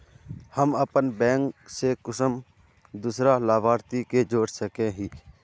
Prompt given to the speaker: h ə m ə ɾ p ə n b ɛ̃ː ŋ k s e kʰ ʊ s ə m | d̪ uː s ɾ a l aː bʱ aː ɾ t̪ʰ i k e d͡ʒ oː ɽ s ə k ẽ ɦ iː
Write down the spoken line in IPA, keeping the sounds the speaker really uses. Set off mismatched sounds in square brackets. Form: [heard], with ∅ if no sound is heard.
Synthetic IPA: h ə m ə [∅] p ə n b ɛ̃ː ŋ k s e [k] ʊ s ə m | d̪ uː s ɾ a l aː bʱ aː ɾ [t̪] i k e d͡ʒ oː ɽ s ə k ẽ ɦ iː